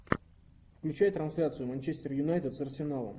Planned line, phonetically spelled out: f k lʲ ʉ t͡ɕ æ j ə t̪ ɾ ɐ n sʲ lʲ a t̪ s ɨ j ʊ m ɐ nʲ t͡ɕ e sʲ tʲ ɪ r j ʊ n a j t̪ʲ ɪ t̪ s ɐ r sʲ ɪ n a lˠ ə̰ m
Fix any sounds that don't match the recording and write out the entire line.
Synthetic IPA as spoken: f k lʲ ʉ t͡ɕ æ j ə t̪ ɾ ɐ n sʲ lʲ a t̪ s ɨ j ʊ m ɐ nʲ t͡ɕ e sʲ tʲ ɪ r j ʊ n a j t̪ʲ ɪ t̪ s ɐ r sʲ ɪ n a lˠ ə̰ m